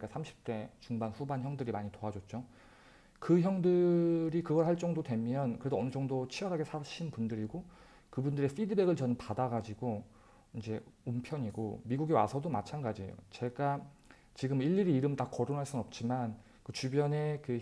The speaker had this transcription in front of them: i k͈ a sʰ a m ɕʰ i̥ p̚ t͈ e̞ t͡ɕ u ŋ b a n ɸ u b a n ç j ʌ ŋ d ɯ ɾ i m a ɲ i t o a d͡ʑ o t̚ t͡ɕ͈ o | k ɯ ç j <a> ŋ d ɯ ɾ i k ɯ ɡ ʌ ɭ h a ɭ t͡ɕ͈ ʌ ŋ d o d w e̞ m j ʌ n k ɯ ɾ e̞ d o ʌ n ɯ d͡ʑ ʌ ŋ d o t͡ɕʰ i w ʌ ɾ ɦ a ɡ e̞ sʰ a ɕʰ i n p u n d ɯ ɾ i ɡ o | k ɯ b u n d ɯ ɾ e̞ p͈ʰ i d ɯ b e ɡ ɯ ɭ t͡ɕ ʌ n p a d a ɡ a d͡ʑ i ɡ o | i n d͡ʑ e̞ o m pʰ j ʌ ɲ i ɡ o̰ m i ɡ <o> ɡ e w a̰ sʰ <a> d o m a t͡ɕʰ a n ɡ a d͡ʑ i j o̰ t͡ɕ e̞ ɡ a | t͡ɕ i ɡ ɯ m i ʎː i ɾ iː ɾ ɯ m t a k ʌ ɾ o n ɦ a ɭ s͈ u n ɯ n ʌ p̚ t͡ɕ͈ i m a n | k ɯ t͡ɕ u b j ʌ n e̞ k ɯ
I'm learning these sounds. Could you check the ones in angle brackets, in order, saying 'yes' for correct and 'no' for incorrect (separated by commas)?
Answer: no, no, no